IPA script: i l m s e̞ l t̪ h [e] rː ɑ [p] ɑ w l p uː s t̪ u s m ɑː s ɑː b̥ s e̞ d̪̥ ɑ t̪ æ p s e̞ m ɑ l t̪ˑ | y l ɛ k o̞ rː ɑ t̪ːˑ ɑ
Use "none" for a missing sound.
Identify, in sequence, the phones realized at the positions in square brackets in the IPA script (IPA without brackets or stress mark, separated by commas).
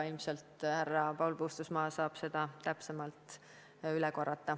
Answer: æ, p